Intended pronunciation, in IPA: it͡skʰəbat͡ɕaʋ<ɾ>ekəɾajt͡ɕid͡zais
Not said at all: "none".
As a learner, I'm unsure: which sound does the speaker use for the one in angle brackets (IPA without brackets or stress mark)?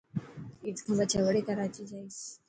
ɽ